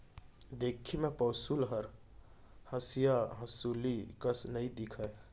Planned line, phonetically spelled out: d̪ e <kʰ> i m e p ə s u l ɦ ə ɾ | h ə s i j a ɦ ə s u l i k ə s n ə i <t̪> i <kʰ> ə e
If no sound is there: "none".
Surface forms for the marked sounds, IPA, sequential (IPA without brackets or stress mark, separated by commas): kʰ, d̪, kʰ